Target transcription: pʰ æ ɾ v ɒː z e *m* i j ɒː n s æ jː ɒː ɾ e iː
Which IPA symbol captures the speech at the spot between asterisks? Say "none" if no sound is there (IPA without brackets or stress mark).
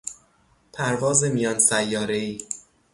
m